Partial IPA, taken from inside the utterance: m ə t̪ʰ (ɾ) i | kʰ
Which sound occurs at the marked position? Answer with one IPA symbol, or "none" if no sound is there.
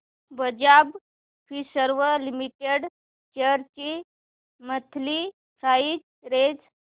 l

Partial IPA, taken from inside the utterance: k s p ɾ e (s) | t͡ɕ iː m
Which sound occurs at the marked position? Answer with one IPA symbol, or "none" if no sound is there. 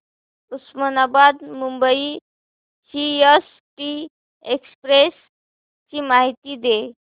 s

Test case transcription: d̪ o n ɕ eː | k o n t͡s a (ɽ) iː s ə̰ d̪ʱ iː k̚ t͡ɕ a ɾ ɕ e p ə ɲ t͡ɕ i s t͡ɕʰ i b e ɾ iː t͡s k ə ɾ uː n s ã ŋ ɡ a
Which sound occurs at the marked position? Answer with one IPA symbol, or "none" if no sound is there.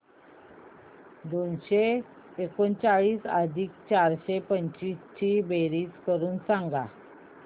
ɭ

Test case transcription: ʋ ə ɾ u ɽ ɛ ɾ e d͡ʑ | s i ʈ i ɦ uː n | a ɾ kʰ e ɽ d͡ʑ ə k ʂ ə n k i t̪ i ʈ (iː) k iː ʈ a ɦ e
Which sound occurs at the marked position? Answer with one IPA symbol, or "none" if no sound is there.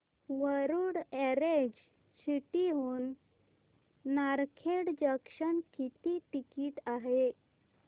i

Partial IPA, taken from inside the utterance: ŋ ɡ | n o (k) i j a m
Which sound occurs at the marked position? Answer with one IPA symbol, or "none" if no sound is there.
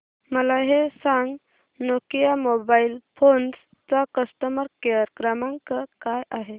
k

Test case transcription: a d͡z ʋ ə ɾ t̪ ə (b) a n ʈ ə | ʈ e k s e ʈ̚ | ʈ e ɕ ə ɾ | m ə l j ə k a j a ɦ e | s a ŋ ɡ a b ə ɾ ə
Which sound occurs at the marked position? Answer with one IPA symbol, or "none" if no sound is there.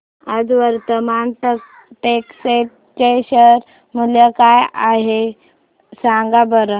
m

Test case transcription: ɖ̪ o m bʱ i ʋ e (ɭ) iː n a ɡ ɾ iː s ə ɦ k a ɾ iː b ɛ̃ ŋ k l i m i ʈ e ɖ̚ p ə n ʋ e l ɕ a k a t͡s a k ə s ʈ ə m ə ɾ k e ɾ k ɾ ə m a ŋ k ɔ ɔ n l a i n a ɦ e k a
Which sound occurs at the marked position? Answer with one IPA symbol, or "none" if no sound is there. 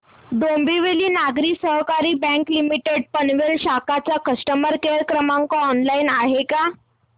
l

